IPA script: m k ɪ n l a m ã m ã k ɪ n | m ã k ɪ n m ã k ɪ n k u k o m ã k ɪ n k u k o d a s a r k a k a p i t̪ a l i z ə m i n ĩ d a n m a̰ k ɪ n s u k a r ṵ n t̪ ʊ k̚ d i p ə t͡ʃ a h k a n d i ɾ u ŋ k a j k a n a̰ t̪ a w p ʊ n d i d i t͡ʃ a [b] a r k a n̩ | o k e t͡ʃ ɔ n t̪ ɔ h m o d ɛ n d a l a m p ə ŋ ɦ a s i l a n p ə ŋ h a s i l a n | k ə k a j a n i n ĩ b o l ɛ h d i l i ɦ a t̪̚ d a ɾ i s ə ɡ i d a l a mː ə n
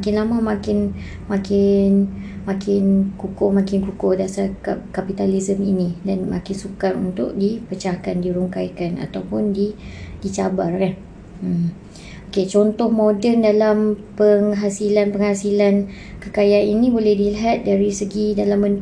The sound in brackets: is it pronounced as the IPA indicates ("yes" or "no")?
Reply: yes